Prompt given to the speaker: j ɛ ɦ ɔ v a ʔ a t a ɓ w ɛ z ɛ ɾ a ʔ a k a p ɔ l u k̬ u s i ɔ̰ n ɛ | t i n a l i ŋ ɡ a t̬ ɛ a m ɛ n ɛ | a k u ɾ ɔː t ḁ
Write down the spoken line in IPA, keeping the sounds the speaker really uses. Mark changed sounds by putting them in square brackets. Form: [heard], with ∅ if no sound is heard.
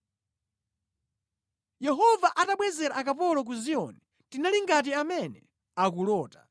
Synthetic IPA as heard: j ɛ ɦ ɔ v a ʔ a t a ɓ w ɛ z ɛ ɾ a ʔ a k a p ɔ l [ɔ] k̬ u [z] i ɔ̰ n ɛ | t i n a l i ŋ ɡ a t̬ [i] a m ɛ n ɛ | a k u [l] ɔː t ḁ